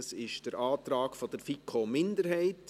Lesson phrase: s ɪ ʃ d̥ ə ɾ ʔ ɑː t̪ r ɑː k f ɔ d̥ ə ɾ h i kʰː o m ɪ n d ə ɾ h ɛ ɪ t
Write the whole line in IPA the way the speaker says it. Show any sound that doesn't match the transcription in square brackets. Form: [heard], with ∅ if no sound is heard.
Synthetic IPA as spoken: s ɪ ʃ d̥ ə ɾ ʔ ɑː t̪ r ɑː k f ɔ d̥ ə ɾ [f] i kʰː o m ɪ n d ə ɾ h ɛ ɪ t